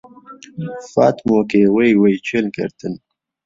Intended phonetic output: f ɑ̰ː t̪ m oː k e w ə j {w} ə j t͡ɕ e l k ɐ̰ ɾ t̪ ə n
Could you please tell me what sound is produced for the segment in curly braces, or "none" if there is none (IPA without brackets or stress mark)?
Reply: w